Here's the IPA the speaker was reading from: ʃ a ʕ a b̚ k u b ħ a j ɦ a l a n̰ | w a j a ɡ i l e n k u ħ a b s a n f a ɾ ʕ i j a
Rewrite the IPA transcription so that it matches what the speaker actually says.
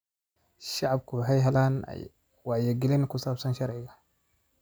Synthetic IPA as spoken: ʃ a ʕ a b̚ k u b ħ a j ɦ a l a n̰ | w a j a ɡ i l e n k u s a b s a n ʃ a ɾ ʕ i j a